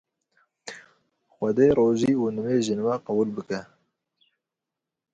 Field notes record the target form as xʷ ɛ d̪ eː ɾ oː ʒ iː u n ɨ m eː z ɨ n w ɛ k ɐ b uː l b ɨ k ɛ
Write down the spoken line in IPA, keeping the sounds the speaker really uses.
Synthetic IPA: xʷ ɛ d̪ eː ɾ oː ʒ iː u n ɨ m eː ʒ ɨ n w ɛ q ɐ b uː l b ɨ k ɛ